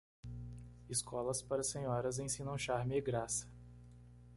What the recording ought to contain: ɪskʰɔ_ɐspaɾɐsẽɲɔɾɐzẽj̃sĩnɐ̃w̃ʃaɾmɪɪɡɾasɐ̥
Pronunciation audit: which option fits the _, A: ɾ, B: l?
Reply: B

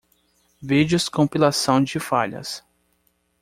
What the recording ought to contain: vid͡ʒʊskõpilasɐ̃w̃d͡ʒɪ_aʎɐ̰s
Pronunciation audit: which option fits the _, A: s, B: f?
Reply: B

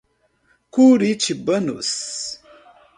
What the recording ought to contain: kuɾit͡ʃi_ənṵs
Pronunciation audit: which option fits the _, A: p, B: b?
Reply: B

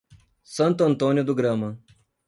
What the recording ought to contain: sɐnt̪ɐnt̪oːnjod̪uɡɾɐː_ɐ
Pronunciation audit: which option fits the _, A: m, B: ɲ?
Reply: A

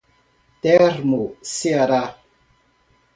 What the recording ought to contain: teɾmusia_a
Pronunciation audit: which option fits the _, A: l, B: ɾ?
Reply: B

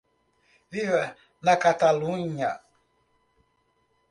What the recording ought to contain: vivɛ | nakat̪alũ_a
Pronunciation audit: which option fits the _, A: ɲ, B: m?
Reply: A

